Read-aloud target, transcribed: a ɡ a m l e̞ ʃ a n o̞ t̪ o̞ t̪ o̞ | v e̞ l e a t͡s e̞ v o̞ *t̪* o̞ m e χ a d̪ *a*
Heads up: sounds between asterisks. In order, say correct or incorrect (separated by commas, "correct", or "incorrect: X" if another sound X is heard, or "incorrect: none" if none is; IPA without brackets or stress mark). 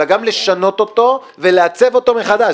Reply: correct, correct